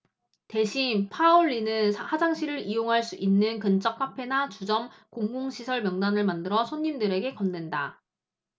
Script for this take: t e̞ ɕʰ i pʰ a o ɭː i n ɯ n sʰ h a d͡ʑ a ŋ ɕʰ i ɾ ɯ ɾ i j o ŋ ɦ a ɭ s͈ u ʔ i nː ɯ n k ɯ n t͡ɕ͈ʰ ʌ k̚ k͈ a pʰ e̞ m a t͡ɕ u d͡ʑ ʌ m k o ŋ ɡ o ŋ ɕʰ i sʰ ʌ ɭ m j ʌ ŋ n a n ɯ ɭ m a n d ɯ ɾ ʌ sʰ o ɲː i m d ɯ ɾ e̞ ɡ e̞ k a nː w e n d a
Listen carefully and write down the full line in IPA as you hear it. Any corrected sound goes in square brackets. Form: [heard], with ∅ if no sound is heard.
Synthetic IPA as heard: t e̞ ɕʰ i pʰ a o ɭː i n ɯ n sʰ h a d͡ʑ a ŋ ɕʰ i ɾ ɯ ɾ i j o ŋ ɦ a ɭ s͈ u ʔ i nː ɯ n k ɯ n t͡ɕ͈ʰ ʌ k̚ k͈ a pʰ e̞ [n] a t͡ɕ u d͡ʑ ʌ m k o ŋ ɡ o ŋ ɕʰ i sʰ ʌ ɭ m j ʌ ŋ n a n ɯ ɭ m a n d ɯ ɾ ʌ sʰ o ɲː i m d ɯ ɾ e̞ ɡ e̞ k [ʌ] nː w e n d a